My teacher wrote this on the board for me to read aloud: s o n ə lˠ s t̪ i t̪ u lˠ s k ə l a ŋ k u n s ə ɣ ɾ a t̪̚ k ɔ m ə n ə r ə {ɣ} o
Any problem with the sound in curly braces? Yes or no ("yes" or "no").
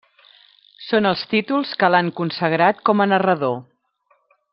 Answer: yes